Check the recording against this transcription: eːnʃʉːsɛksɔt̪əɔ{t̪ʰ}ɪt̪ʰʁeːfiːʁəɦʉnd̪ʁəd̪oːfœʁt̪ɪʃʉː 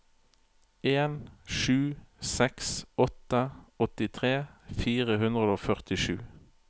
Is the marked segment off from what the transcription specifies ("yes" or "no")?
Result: yes